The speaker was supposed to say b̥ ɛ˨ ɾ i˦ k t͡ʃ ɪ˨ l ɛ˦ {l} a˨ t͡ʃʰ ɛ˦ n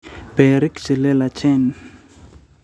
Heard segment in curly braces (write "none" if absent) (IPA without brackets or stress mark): l